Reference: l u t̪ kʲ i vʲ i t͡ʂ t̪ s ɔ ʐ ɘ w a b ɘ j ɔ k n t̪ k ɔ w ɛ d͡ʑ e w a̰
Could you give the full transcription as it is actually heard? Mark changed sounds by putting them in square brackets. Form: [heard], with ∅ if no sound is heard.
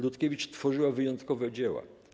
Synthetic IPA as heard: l u t̪ kʲ [e] vʲ i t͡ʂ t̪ [f] ɔ ʐ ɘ w a [v] ɘ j ɔ [∅] n t̪ k ɔ [v] ɛ d͡ʑ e w a̰